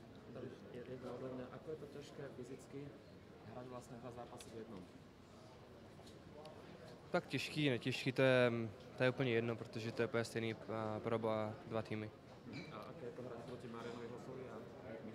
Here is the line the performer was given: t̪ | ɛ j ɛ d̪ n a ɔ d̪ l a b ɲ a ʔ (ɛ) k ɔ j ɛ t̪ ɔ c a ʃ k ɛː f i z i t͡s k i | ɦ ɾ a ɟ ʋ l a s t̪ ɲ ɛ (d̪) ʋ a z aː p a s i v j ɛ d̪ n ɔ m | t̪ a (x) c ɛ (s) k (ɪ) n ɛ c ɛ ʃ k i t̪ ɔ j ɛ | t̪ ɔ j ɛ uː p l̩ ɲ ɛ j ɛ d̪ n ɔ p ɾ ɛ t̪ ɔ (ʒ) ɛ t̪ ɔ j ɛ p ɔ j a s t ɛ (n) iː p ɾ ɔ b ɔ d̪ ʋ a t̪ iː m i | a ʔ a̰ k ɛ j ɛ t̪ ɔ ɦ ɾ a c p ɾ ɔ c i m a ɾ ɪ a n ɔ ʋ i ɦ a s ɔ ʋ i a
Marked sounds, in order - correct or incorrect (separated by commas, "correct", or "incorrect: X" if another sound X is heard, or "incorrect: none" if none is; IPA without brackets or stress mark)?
incorrect: a, correct, incorrect: k, incorrect: ʃ, incorrect: i, correct, correct